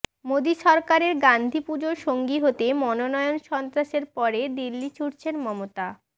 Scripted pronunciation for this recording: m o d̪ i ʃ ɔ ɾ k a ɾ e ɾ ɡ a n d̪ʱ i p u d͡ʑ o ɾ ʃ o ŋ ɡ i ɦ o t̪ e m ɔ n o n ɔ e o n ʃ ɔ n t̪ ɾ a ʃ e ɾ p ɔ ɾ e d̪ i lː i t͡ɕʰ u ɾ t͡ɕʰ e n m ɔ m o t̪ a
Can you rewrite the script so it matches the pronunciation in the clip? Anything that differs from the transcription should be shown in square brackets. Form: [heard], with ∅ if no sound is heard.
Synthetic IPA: m o d̪ i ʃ ɔ ɾ k a ɾ e ɾ ɡ a n d̪ʱ i p u d͡ʑ o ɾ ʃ o ŋ ɡ i ɦ o t̪ e m ɔ n o n ɔ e o n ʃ ɔ n t̪ ɾ a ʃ e ɾ p ɔ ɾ e d̪ i lː i t͡ɕʰ u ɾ t͡ɕʰ e n m ɔ m o t̪ a